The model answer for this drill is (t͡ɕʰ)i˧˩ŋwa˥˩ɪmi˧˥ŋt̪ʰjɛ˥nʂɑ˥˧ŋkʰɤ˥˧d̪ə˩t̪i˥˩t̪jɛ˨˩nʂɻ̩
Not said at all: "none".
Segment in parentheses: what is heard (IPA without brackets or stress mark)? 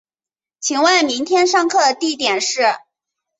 t͡ɕʰ